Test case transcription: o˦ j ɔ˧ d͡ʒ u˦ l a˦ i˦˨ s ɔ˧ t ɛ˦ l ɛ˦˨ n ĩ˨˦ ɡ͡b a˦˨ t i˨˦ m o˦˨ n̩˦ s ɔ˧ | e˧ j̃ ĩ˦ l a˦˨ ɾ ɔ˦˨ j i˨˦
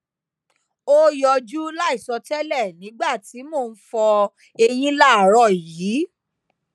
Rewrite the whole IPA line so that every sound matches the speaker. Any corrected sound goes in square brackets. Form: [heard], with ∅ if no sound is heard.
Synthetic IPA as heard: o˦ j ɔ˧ d͡ʒ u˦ l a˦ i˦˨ s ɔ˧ t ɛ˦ l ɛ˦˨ n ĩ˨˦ ɡ͡b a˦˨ t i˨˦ m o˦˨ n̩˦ [f] ɔ˧ | e˧ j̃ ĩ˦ l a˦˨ ɾ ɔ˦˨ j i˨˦